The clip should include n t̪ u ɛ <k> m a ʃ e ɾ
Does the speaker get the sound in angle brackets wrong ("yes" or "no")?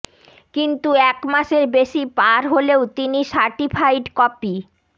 no